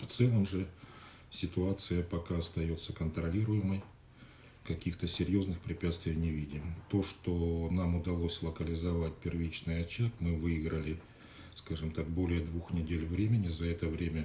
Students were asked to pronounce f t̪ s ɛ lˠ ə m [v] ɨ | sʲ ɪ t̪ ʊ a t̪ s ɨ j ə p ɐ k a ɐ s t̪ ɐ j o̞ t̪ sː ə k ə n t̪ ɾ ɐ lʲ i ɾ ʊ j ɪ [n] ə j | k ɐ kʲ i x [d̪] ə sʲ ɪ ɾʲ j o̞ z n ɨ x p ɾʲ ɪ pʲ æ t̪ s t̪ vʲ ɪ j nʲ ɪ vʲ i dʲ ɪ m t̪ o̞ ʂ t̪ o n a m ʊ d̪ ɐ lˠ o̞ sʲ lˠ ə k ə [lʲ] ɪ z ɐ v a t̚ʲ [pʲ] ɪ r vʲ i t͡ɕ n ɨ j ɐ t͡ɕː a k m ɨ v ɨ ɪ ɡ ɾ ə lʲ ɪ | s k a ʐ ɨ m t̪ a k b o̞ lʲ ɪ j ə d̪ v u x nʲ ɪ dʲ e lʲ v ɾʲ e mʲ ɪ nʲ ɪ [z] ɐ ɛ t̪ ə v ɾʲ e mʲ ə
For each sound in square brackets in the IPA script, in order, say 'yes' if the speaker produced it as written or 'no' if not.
no, no, no, yes, yes, yes

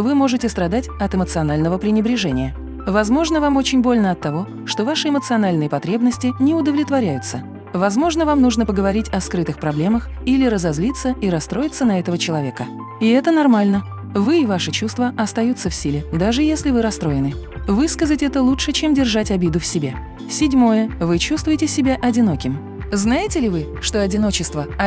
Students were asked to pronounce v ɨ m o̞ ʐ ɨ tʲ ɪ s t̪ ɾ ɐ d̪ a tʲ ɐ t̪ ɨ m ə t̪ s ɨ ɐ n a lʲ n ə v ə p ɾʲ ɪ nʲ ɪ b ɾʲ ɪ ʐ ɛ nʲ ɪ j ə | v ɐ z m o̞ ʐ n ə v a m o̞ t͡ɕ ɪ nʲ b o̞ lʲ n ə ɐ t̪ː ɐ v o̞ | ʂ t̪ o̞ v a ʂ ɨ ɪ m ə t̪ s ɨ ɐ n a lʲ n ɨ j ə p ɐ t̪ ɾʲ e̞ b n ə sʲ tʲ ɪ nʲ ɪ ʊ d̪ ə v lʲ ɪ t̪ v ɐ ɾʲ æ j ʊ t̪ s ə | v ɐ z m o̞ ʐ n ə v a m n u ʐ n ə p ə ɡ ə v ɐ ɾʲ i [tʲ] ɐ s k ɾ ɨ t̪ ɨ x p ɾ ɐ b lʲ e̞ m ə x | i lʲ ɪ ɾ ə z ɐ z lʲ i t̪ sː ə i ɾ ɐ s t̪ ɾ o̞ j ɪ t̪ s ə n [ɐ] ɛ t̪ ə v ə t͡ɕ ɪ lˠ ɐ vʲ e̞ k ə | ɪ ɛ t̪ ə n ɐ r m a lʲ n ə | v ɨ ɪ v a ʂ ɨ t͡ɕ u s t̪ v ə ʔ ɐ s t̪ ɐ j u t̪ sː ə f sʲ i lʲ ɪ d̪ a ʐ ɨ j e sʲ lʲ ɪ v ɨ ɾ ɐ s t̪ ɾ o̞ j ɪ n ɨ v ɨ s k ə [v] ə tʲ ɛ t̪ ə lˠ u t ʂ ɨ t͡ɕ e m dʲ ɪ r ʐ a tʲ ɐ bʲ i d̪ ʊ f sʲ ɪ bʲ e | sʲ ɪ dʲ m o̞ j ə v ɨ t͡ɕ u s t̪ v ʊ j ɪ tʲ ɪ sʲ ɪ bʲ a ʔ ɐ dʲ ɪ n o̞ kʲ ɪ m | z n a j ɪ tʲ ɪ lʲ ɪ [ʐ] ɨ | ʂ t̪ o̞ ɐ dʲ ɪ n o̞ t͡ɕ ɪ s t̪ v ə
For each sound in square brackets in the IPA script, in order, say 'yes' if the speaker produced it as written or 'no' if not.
yes, yes, no, no

